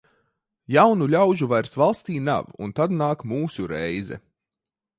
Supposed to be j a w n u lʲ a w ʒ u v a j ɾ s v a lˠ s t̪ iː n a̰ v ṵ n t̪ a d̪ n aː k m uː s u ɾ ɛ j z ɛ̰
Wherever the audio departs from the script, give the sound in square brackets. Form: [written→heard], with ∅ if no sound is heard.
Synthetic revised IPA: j a w n u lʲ a w ʒ u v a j ɾ s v a lˠ s t̪ iː n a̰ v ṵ n t̪ a d̪ n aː k m uː s u ɾ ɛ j z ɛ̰